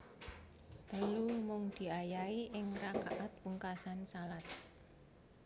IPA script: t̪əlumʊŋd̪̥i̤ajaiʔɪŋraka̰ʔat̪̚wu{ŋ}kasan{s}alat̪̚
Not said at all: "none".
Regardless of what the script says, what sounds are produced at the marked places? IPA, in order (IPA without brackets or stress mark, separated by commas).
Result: ŋ, s